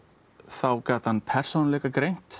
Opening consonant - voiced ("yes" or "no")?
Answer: no